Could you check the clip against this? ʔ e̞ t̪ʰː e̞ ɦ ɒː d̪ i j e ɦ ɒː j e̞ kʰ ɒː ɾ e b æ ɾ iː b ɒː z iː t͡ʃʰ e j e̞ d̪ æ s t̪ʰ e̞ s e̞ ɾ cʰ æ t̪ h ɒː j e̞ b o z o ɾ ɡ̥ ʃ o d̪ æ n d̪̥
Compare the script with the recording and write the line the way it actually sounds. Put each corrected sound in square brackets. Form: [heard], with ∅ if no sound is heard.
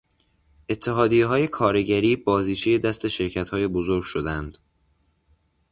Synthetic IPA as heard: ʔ e̞ t̪ʰː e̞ ɦ ɒː d̪ i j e ɦ ɒː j e̞ kʰ ɒː ɾ e [ɟ] æ ɾ iː b ɒː z iː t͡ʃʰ e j e̞ d̪ æ s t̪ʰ e̞ [ʃ] e̞ ɾ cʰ æ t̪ h ɒː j e̞ b o z o ɾ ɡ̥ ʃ o d̪ æ n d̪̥